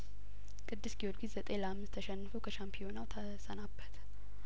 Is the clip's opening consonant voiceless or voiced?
voiceless